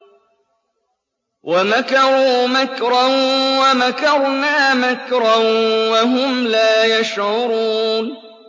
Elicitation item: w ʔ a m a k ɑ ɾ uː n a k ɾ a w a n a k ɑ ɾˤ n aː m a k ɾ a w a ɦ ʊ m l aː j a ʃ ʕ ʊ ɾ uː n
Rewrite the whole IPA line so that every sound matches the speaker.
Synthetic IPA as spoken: w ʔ a m a k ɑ ɾ uː m a k ɾ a w a m a k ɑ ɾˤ n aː m a k ɾ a w a ɦ ʊ m l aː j a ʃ ʕ ʊ ɾ uː n